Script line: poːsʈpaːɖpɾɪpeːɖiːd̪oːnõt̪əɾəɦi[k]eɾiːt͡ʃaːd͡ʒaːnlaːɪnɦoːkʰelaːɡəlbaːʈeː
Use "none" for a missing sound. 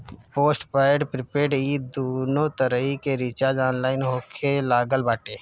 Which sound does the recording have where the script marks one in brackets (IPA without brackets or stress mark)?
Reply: k